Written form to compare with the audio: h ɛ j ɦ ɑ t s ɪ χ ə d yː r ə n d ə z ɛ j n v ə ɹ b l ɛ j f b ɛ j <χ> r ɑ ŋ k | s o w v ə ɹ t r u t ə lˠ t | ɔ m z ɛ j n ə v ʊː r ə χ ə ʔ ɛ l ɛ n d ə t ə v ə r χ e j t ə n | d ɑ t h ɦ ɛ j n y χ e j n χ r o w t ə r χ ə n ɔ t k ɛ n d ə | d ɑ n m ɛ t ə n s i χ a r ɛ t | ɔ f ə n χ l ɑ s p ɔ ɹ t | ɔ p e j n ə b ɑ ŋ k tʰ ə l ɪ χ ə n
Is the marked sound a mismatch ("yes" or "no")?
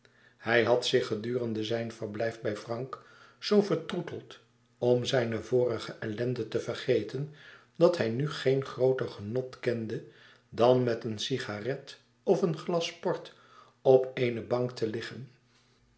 yes